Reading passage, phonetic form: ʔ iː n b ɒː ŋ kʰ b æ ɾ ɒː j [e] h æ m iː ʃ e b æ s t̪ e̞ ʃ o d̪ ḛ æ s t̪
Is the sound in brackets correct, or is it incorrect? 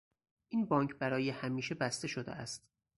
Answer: correct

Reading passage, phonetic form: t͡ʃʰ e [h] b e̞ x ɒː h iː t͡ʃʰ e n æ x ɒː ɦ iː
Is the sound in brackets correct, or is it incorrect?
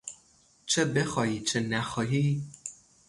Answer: incorrect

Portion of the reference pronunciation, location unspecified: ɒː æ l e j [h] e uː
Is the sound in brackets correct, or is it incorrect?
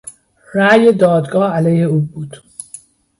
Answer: correct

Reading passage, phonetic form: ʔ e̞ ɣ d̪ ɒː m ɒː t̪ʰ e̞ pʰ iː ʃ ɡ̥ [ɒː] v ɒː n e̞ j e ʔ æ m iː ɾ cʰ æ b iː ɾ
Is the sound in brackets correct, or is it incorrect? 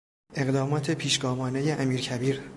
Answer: correct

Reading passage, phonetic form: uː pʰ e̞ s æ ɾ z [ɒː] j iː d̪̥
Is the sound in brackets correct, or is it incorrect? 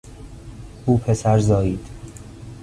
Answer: correct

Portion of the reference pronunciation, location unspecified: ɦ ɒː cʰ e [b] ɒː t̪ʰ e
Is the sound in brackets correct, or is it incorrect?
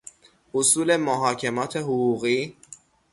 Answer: incorrect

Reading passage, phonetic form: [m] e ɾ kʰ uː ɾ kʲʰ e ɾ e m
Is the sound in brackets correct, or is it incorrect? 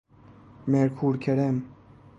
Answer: correct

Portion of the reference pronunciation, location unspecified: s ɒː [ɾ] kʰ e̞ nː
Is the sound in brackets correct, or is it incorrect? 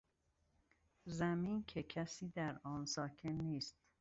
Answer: incorrect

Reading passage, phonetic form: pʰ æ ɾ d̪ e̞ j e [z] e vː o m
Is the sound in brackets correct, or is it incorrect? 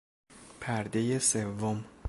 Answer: incorrect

